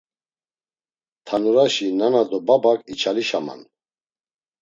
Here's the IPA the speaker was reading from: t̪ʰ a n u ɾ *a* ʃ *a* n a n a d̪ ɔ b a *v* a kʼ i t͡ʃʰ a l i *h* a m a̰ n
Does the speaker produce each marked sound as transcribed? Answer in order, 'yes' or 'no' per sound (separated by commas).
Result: yes, no, no, no